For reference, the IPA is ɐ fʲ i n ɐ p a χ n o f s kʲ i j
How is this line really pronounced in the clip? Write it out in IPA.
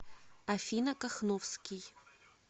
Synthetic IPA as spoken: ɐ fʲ i n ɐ k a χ n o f s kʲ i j